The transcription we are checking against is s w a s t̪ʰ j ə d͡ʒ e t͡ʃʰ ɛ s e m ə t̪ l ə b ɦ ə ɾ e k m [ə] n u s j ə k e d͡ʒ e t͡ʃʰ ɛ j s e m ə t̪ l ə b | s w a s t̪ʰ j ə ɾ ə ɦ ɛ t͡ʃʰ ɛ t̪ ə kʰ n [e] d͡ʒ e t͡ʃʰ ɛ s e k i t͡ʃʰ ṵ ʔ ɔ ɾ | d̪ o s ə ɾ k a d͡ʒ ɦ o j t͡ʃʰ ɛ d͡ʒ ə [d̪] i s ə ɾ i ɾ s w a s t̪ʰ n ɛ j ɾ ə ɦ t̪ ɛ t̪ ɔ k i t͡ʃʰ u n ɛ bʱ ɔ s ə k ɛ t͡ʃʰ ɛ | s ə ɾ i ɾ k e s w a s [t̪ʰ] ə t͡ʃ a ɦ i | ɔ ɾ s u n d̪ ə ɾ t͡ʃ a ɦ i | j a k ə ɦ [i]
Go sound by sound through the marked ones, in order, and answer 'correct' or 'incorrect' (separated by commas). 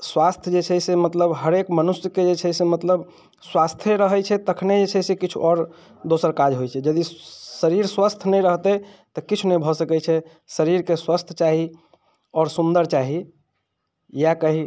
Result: correct, correct, correct, correct, correct